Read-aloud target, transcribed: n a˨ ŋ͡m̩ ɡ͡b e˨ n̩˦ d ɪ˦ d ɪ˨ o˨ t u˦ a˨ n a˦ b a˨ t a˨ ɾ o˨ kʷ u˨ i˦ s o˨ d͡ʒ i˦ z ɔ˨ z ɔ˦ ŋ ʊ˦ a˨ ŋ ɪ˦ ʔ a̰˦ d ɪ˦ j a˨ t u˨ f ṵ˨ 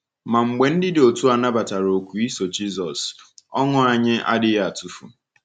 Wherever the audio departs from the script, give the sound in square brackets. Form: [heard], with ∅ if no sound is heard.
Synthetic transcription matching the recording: [m] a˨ ŋ͡m̩ ɡ͡b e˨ n̩˦ d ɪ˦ d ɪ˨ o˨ t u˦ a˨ n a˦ b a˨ t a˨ ɾ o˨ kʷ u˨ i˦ s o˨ d͡ʒ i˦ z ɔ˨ [s] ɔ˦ ŋ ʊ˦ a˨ [ɲ] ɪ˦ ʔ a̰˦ d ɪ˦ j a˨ t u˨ f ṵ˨